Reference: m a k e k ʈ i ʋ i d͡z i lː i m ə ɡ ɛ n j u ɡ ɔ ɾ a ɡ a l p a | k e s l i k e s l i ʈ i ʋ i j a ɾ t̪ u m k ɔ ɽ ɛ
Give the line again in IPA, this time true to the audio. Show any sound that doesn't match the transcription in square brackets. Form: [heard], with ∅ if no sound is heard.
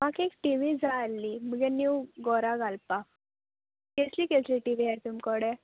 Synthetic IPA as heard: m a k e k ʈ i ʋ i d͡z [a] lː i m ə ɡ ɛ n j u ɡ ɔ ɾ a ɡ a l p a | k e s l i k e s l i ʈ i ʋ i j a ɾ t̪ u m k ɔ ɽ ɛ